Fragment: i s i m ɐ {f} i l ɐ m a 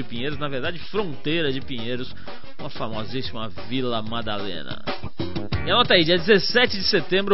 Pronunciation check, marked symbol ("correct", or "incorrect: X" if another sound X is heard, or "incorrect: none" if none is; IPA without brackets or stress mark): incorrect: v